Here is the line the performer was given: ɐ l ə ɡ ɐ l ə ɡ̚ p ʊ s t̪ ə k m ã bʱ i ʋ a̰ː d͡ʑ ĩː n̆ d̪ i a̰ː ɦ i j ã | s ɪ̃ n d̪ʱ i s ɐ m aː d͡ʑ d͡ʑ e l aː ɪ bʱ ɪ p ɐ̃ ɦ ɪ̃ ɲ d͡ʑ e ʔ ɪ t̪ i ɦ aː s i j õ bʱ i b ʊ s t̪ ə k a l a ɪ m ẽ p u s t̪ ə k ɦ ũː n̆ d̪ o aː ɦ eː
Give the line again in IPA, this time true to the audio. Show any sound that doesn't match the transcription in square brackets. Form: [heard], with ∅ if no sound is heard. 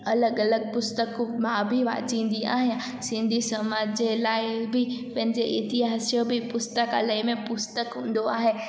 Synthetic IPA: ɐ l ə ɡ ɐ l ə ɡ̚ p ʊ s t̪ ə k m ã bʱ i ʋ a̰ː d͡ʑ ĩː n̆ d̪ i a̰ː ɦ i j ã | s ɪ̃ n d̪ʱ i s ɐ m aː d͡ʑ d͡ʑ e l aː ɪ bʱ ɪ p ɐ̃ ɦ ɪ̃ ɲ d͡ʑ e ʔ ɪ t̪ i ɦ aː s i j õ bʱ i [p] ʊ s t̪ ə k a l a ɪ m ẽ p [ʊ] s t̪ ə k ɦ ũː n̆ d̪ o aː ɦ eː

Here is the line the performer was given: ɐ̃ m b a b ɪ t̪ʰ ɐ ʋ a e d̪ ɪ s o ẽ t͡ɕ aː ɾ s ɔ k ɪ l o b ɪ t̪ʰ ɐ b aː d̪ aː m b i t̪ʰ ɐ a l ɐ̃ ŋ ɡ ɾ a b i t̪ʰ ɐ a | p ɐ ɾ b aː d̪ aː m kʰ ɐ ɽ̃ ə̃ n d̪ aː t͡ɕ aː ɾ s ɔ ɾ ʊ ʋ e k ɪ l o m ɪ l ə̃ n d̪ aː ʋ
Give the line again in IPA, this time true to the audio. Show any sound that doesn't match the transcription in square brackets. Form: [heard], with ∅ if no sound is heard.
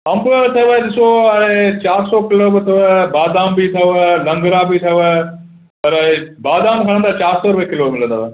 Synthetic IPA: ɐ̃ m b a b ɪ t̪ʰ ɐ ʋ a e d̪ ɪ s o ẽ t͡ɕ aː ɾ s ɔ k ɪ l o b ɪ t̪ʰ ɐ b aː d̪ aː m b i t̪ʰ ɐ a l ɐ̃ ŋ ɡ ɾ a b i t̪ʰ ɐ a | p ɐ ɾ b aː d̪ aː m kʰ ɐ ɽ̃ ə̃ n d̪ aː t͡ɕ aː ɾ s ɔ ɾ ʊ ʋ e k ɪ l o m ɪ l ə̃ n d̪ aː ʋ

